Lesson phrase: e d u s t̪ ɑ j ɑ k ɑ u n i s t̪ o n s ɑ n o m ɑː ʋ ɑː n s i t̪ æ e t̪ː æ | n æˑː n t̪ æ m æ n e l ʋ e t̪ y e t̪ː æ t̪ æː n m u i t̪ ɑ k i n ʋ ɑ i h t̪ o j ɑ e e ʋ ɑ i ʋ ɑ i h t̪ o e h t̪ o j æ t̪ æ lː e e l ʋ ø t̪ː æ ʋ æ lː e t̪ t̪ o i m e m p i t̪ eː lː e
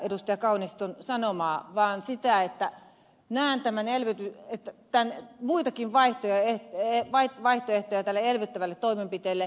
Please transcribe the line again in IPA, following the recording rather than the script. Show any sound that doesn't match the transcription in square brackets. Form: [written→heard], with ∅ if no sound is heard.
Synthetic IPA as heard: e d u s t̪ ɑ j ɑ k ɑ u n i s t̪ o n s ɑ n o m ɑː ʋ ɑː n s i t̪ æ e t̪ː æ | n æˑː n t̪ æ m æ n e l ʋ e t̪ y e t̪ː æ t̪ [æː→æ] n m u i t̪ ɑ k i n ʋ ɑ i h t̪ o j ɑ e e ʋ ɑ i ʋ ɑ i h t̪ o e h t̪ o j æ t̪ æ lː e e l ʋ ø t̪ː æ ʋ æ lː e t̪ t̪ o i m e m p i t̪ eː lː e